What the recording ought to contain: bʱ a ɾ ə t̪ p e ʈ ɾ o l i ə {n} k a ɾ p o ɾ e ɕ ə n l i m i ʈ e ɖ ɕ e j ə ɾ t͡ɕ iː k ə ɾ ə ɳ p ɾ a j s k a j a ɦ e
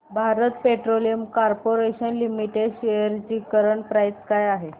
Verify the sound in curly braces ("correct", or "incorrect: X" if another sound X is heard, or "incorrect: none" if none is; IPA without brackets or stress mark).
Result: incorrect: m